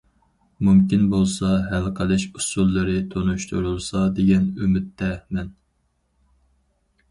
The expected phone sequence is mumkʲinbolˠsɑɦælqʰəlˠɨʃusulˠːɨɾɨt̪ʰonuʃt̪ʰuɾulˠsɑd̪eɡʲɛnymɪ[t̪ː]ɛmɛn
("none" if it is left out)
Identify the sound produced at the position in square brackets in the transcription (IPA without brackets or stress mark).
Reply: t̪ː